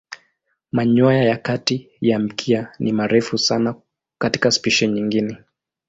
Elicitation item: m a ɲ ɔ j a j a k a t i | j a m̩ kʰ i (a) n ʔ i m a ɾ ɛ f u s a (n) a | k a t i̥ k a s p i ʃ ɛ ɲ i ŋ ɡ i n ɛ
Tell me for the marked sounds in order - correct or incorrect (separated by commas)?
correct, correct